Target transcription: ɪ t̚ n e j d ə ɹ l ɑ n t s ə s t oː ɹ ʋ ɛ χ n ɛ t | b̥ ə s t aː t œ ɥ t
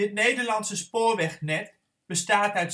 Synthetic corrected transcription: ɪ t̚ n e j d ə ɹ l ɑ n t s ə s p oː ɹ ʋ ɛ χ n ɛ t | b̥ ə s t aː t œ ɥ t

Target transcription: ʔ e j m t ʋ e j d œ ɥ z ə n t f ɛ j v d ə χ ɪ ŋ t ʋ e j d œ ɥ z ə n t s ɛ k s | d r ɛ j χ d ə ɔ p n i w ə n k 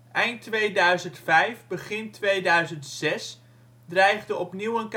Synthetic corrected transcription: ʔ ɛ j n t ʋ e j d œ ɥ z ə n t f ɛ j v b ə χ ɪ n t ʋ e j d œ ɥ z ə n t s ɛ s | d r ɛ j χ d ə ɔ p n i w ə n k

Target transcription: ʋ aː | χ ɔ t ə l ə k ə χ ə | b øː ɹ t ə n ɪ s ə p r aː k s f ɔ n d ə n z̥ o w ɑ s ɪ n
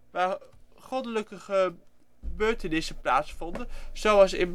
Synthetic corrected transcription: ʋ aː | χ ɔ d ə l ə k ə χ ə | b øː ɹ t ə n ɪ s ə p l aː t s f ɔ n d ə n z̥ o w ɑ s ɪ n

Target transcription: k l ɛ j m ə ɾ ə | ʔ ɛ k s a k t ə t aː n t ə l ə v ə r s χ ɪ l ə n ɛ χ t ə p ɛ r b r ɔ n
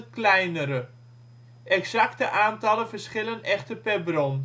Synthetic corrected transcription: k l ɛ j n ə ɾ ə | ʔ ɛ k s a k t ə ʔ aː n t ɑ l ə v ə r s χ ɪ l ə n ɛ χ t ə p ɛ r b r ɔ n

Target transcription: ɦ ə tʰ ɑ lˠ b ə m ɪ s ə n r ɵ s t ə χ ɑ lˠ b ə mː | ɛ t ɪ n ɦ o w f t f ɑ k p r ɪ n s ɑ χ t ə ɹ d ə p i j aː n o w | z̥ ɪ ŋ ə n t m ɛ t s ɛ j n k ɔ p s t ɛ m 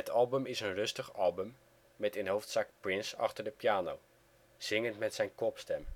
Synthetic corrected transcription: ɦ ə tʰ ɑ lˠ b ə m ɪ s ə n r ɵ s t ə χ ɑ lˠ b ə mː | ɛ t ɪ n ɦ o w f t s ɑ k p r ɪ n s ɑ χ t ə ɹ d ə p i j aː n o w | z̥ ɪ ŋ ə n t m ɛ t s ɛ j n k ɔ p s t ɛ m

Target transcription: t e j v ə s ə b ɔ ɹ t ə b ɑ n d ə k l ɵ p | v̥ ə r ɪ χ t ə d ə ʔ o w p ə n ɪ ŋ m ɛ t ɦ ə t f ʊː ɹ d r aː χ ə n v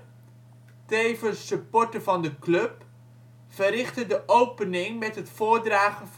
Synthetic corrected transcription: t e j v ə s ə p ɔ ɹ t ə v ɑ n d ə k l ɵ p | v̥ ə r ɪ χ t ə d ə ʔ o w p ə n ɪ ŋ m ɛ t ɦ ə t f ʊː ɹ d r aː χ ə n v

